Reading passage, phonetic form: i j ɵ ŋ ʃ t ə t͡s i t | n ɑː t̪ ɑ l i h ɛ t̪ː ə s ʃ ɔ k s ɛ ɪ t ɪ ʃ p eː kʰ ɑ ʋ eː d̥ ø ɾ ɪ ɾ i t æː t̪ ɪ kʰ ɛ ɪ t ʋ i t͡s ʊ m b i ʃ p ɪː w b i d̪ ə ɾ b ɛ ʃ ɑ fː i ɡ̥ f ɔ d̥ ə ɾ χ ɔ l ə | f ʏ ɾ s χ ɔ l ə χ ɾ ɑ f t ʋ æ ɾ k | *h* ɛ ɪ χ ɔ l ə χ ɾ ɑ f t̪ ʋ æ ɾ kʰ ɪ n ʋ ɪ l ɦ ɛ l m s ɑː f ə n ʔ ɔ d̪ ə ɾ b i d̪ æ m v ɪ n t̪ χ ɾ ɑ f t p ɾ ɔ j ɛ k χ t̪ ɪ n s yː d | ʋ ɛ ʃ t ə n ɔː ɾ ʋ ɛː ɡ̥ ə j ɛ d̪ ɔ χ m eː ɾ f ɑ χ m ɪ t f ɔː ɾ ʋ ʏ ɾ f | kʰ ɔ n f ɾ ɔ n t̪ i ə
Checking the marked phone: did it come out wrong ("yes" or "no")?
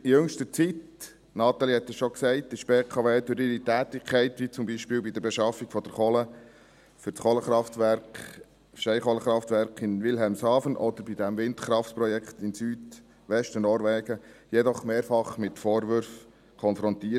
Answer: yes